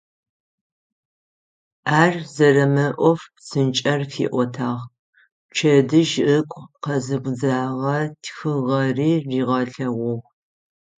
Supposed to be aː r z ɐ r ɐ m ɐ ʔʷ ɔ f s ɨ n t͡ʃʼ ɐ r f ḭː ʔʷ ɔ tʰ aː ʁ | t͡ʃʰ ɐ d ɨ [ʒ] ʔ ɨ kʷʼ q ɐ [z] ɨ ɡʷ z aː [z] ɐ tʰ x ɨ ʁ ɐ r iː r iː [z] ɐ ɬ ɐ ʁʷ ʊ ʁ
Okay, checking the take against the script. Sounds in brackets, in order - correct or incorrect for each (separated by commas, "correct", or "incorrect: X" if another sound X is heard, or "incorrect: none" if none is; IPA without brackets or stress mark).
correct, correct, incorrect: ʁ, incorrect: ʁ